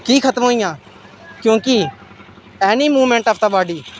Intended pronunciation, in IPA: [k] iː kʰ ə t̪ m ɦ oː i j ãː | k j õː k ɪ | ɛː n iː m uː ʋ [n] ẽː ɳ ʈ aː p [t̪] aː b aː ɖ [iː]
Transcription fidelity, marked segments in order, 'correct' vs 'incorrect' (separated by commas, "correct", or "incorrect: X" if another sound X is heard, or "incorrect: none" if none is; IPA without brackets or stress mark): correct, incorrect: m, correct, correct